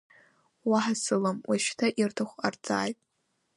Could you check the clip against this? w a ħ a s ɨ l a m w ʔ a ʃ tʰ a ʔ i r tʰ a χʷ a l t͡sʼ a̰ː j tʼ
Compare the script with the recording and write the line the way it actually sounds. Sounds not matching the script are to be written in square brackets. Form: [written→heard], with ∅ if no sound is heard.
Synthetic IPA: w a ħ a s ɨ l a m w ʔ a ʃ tʰ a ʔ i r tʰ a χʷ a [l→r] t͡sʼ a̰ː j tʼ